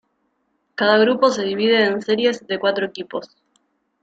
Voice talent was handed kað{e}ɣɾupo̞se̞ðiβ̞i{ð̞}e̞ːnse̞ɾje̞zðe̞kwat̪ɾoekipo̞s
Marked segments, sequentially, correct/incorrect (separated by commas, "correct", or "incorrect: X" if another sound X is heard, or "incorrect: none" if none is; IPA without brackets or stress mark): incorrect: a, correct